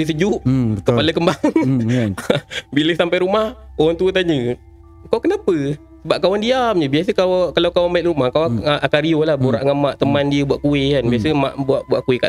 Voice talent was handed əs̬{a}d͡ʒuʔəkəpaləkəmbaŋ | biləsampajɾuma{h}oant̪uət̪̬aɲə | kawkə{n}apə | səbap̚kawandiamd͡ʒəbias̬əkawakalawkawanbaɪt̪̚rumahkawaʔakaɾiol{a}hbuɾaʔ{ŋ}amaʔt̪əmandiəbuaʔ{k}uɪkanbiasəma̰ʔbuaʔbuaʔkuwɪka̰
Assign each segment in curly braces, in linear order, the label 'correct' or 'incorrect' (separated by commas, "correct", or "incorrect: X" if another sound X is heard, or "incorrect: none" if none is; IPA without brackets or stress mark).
incorrect: ə, correct, correct, correct, correct, correct